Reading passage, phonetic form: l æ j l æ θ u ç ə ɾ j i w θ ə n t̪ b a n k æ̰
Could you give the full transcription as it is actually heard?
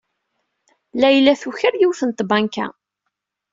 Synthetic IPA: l æ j l æ θ u ç ə ɾ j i w θ ə n t̪ b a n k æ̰